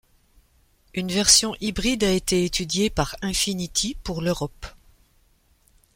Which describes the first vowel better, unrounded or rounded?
rounded